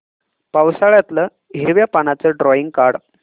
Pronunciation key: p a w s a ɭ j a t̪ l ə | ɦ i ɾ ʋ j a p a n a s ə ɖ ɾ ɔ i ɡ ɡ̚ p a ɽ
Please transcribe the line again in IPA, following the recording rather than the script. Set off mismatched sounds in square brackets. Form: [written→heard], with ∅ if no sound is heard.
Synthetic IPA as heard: p a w s a ɭ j a t̪ l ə | ɦ i ɾ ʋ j a p a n a [s→t͡s] ə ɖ ɾ ɔ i [ɡ→ŋ] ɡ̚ [p→k] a ɽ